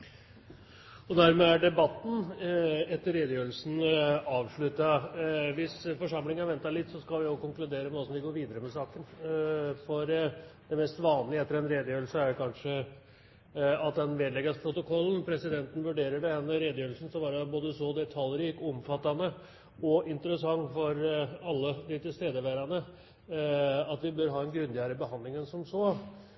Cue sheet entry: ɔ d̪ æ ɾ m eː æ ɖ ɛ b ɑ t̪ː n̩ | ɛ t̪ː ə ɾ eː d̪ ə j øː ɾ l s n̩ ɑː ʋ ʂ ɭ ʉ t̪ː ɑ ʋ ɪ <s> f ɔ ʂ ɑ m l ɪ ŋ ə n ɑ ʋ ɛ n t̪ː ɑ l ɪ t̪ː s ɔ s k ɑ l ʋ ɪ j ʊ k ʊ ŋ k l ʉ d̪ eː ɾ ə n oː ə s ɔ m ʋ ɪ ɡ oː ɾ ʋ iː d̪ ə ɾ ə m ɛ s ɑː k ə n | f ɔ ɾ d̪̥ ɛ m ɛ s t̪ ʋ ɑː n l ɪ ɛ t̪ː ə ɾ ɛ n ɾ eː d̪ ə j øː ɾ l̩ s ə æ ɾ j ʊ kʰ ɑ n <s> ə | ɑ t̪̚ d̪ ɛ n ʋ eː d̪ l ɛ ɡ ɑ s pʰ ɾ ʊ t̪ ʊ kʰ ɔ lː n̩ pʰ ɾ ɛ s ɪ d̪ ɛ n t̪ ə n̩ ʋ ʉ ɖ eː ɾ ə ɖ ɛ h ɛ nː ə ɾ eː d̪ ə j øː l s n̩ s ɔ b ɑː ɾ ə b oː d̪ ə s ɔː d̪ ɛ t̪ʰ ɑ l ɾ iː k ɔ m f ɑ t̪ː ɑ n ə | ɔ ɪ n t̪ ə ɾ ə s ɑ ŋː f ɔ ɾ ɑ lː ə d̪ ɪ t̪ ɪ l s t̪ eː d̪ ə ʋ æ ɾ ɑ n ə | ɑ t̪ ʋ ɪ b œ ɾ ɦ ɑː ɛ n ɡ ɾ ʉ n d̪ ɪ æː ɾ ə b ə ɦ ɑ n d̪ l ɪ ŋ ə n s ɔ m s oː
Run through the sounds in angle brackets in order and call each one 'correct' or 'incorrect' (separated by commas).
correct, incorrect